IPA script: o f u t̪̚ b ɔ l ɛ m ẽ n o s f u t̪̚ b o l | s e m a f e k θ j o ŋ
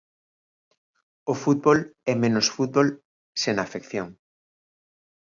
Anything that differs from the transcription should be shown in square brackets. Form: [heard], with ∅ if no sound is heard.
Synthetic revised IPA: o f u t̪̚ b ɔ l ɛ m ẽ n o s f u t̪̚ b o l | s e [n] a f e k θ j o ŋ